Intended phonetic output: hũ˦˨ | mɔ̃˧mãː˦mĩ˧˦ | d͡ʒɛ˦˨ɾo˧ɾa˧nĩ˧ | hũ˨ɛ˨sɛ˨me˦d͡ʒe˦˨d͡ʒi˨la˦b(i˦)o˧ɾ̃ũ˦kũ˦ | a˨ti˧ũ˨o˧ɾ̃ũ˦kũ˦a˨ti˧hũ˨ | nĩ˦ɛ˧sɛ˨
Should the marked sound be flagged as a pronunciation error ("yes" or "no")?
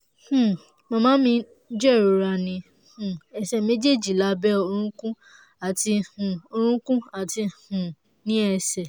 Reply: yes